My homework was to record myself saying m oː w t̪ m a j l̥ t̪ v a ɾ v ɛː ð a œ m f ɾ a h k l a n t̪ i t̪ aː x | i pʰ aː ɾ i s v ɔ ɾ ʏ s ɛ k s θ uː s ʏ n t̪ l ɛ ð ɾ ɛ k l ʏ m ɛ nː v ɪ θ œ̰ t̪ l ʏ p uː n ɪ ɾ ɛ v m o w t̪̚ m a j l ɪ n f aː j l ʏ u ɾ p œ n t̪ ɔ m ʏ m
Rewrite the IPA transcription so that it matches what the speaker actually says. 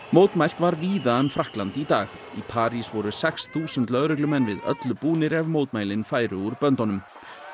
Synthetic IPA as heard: m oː w t̪ m a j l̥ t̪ v a ɾ v iː ð a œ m f ɾ a h k l a n t̪ i t̪ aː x | i pʰ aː ɾ i s v ɔ ɾ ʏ s ɛ k s θ uː s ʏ n t̪ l œ ð ɾ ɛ k l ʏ m ɛ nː v ɪ ð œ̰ t̪ l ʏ p uː n ɪ ɾ ɛ v m o w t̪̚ m a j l ɪ n f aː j ɾ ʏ u ɾ p œ n t̪ ɔ n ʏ m